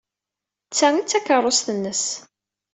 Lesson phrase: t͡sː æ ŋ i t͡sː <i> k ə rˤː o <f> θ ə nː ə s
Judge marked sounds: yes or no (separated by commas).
no, no